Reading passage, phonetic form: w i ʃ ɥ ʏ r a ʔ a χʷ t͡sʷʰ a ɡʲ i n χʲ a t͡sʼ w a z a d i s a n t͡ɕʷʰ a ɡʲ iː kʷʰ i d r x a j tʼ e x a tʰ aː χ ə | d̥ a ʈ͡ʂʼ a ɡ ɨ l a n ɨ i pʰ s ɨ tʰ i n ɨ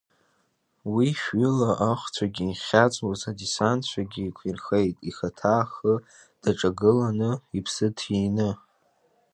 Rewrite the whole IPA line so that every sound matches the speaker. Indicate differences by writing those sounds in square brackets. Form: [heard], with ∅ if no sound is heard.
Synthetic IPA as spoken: w i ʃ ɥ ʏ [l] a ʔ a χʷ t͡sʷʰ a ɡʲ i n χʲ a t͡sʼ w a z a d i s a n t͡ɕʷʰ a ɡʲ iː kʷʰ i [∅] r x [e] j tʼ [i] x a tʰ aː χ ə | d̥ a ʈ͡ʂʼ a ɡ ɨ l a n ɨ i pʰ s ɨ tʰ i n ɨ